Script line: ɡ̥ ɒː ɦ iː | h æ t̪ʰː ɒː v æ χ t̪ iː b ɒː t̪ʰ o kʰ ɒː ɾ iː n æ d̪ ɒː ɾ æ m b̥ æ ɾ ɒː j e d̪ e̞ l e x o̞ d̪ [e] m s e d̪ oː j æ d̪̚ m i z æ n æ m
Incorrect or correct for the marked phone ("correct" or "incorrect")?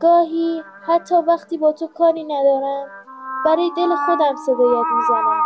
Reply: incorrect